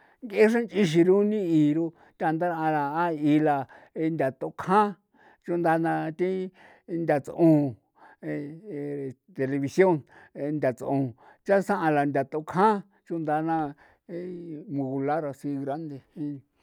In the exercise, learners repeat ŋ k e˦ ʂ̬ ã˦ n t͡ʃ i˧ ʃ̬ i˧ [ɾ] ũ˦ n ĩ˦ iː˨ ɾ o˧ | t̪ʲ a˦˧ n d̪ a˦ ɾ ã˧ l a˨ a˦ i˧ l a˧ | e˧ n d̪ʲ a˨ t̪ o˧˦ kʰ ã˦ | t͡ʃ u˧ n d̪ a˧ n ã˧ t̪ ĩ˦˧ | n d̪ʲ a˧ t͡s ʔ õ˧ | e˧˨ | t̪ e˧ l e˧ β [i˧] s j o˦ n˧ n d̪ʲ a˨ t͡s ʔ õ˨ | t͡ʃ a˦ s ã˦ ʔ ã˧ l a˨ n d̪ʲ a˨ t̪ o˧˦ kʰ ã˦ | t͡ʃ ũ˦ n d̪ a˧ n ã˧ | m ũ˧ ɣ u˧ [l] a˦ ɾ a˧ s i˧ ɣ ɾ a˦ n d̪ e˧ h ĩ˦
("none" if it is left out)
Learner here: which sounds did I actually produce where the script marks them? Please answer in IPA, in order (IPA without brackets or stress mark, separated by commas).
ɾ, i˧, l